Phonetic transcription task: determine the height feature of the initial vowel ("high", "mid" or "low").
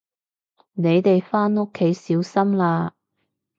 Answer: mid